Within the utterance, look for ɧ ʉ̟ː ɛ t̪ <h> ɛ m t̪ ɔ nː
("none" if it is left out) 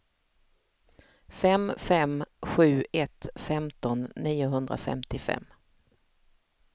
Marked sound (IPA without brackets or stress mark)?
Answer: f